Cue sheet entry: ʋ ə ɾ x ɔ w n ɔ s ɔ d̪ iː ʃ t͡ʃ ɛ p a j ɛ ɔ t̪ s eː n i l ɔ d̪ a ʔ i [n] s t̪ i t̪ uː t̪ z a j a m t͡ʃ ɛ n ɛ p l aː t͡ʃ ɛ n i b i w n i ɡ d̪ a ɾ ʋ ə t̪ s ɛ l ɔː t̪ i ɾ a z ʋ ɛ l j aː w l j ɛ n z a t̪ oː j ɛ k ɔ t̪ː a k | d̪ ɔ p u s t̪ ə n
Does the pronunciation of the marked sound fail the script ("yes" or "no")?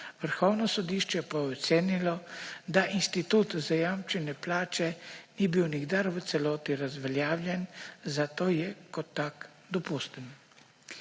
no